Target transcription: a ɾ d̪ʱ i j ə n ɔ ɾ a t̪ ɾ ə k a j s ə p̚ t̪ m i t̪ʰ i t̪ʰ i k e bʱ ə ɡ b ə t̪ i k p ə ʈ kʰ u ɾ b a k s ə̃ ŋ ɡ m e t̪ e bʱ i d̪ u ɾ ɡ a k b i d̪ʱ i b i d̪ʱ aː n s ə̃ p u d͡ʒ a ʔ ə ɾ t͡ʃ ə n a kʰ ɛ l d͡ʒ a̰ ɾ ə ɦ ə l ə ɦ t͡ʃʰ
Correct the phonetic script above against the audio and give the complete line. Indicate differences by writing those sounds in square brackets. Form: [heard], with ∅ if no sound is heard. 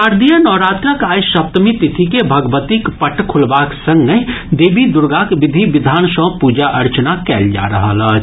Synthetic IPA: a ɾ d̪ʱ i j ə n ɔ ɾ a t̪ ɾ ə k a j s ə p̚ t̪ m i [t̪] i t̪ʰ i k e bʱ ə ɡ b ə t̪ i k p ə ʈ kʰ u [l] b a k s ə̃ ŋ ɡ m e [d̪] e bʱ i d̪ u ɾ ɡ a k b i d̪ʱ i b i d̪ʱ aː n s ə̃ p u d͡ʒ a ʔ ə ɾ t͡ʃ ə n a [k] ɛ l d͡ʒ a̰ ɾ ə ɦ ə l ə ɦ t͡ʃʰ